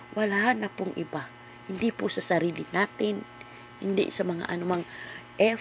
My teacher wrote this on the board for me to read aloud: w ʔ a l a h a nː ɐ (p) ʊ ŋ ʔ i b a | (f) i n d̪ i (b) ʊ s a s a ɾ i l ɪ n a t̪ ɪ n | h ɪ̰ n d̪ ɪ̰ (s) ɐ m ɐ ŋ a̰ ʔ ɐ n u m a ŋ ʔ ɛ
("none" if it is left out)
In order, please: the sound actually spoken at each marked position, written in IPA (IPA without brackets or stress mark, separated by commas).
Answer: p, h, p, s